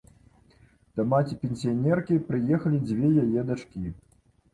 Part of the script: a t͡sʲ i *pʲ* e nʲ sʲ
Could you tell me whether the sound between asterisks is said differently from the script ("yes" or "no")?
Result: no